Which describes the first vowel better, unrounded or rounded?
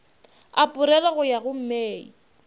unrounded